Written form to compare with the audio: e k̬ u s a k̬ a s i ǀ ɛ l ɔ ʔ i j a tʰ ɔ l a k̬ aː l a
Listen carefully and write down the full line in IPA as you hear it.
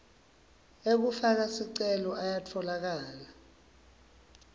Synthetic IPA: e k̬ u f a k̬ a s i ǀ ɛ l ɔ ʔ a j a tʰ ɔ l a k̬ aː l a